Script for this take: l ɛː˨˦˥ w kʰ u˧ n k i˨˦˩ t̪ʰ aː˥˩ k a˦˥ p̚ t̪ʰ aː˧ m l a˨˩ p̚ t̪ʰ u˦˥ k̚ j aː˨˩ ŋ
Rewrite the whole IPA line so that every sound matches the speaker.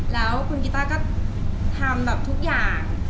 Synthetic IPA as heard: l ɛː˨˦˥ w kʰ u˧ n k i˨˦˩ t̪ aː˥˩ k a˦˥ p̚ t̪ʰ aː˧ m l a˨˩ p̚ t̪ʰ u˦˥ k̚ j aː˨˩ ŋ